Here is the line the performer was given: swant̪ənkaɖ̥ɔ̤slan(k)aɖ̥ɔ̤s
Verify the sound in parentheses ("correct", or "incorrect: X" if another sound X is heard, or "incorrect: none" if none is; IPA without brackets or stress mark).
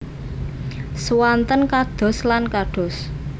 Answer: correct